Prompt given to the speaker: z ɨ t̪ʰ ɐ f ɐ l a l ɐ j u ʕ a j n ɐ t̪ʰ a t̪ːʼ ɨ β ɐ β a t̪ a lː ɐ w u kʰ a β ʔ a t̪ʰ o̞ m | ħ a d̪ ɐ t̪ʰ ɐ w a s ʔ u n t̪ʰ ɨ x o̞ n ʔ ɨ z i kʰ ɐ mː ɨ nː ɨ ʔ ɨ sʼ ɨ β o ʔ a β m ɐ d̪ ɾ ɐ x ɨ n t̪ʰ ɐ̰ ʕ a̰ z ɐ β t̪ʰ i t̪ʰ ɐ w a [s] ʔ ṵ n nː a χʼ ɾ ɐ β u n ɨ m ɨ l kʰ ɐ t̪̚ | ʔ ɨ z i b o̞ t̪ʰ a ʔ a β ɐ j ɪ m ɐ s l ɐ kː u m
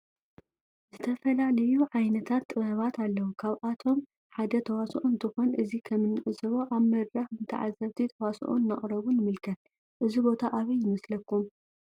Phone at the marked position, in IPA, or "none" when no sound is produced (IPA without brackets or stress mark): s